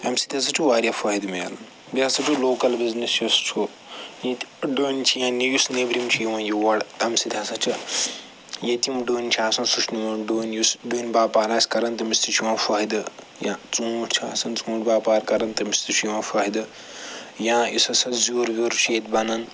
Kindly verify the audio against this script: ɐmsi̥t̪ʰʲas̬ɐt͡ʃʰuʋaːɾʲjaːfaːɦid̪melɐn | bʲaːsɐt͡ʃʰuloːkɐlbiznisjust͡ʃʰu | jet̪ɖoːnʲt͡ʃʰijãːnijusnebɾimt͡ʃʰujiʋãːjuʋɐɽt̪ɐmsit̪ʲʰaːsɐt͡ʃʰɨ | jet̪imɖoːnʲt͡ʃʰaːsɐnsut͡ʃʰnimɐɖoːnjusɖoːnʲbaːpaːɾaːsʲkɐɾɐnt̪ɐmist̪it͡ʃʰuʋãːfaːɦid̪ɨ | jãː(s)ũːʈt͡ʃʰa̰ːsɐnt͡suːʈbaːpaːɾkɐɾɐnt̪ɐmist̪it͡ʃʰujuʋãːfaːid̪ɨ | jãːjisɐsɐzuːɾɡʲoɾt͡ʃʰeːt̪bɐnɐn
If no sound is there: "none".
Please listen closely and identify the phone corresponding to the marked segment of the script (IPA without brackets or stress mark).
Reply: t͡s